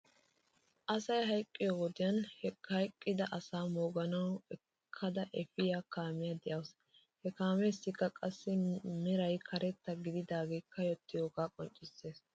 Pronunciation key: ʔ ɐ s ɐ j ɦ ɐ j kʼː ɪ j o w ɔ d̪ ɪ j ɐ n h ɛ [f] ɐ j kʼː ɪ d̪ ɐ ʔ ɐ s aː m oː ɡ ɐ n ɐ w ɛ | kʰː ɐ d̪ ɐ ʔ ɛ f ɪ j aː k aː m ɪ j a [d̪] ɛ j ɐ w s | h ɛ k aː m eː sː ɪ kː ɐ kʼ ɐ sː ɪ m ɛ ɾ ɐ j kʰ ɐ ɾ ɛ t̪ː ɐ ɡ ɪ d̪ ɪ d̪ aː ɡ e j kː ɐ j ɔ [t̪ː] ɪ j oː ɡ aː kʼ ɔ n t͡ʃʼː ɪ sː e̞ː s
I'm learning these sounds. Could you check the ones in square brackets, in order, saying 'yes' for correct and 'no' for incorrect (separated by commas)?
no, yes, yes